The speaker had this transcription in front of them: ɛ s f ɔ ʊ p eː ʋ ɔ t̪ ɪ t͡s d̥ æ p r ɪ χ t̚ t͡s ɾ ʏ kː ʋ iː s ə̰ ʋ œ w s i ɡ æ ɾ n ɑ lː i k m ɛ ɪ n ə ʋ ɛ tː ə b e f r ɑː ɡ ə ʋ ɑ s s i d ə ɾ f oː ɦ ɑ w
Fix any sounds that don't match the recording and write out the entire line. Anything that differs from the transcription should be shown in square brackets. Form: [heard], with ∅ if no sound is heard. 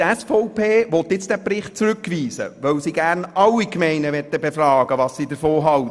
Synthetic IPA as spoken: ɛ s f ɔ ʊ p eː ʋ ɔ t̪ ɪ t͡s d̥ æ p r ɪ χ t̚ t͡s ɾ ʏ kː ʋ iː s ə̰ ʋ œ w s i ɡ æ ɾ n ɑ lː i k m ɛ ɪ n ə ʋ ɛ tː ə b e f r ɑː ɡ ə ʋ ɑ s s i d ə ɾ f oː ɦ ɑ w